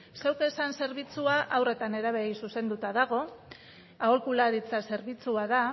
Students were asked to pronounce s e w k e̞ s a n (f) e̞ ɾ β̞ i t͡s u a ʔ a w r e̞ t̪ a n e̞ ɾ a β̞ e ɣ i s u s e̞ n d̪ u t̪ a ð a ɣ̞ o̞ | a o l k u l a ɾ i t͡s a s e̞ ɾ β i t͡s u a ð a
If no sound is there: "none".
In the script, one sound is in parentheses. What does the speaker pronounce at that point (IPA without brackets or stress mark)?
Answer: s